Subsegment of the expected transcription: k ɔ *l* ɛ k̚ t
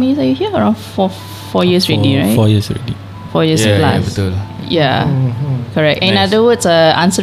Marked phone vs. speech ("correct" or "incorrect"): incorrect